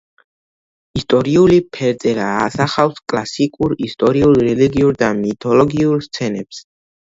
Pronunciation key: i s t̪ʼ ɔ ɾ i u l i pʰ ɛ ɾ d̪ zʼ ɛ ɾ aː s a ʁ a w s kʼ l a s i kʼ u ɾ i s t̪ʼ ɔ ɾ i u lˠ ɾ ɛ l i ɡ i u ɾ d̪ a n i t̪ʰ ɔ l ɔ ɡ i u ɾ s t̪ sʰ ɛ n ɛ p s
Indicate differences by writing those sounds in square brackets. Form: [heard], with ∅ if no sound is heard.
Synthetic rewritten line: i s t̪ʼ ɔ ɾ i u l i pʰ ɛ ɾ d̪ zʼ ɛ ɾ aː s a [χ] a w s kʼ l a s i kʼ u ɾ i s t̪ʼ ɔ ɾ i u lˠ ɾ ɛ l i ɡ i u ɾ d̪ a [m] i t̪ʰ ɔ l ɔ ɡ i u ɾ s t̪ sʰ ɛ n ɛ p s